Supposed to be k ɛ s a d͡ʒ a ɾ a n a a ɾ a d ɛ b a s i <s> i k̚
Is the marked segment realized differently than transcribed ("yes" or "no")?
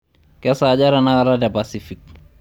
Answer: yes